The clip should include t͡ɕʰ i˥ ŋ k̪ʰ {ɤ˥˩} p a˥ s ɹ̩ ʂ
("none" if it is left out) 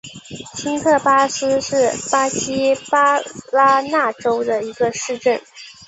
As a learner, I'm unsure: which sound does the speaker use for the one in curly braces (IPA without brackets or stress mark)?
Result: ɤ˥˩